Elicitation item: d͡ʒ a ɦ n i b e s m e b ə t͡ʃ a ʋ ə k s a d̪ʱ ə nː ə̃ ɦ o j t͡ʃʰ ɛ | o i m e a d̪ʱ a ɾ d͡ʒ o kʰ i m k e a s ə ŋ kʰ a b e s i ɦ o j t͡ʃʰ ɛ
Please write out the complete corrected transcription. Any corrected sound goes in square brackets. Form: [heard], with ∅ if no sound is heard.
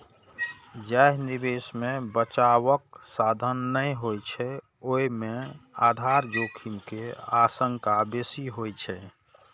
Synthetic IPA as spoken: d͡ʒ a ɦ n i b e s m e b ə t͡ʃ a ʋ ə k s a d̪ʱ ə nː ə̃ ɦ o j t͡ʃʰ ɛ | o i m e a d̪ʱ a ɾ d͡ʒ o kʰ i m k e a s ə ŋ [k] a b e s i ɦ o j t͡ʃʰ ɛ